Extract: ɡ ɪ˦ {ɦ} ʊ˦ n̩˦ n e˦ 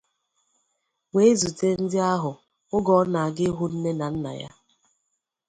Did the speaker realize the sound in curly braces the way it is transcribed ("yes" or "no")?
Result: yes